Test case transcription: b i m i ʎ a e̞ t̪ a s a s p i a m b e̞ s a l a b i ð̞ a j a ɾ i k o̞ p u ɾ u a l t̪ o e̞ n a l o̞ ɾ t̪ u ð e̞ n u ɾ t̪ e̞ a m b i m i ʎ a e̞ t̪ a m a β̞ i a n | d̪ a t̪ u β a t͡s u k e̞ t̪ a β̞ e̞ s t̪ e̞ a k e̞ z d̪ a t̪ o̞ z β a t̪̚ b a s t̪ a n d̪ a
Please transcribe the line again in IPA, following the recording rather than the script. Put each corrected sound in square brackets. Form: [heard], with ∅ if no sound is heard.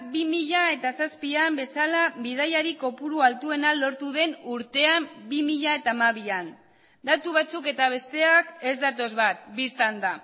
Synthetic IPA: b i m i ʎ a e̞ t̪ a s a s p i a m b e̞ s a l a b i ð̞ a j a ɾ i k o̞ p u ɾ u a l t̪ [u] e̞ n a l o̞ ɾ t̪ u ð e̞ n u ɾ t̪ e̞ a m b i m i ʎ a e̞ t̪ a m a β̞ i a n | d̪ a t̪ u β a t͡s u k e̞ t̪ a β̞ e̞ s t̪ e̞ a k e̞ z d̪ a t̪ o̞ z β a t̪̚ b [i] s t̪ a n d̪ a